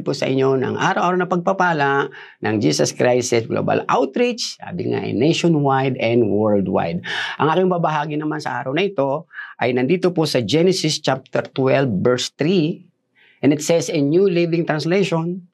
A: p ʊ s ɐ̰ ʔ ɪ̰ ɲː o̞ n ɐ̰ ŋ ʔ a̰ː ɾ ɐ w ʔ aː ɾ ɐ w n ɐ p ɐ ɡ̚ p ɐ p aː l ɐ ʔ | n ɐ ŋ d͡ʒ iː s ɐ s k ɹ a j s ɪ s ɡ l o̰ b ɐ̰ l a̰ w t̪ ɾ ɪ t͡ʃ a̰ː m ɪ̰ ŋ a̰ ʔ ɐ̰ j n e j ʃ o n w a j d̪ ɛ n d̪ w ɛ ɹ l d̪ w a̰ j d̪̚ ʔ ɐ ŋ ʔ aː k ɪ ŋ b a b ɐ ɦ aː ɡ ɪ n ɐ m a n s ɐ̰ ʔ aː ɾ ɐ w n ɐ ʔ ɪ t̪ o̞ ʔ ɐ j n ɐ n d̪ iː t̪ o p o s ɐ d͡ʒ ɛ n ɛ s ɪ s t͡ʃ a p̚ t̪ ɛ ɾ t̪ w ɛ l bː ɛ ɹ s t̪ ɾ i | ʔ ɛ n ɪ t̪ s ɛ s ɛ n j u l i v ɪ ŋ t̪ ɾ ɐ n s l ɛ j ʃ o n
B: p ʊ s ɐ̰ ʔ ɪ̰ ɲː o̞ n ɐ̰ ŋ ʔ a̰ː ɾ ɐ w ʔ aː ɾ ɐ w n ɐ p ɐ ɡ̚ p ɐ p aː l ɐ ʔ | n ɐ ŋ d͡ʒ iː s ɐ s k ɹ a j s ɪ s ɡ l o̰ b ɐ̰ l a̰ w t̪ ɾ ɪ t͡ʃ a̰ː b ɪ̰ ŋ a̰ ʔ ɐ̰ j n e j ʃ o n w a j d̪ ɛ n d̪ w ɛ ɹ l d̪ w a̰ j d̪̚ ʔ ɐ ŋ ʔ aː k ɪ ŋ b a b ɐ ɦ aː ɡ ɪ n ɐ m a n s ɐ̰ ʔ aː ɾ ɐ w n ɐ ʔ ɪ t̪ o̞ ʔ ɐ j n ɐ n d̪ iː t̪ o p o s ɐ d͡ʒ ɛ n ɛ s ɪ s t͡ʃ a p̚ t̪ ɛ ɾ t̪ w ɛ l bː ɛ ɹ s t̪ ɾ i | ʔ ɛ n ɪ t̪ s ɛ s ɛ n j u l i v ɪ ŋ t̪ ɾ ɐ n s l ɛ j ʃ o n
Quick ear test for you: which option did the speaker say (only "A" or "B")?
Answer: B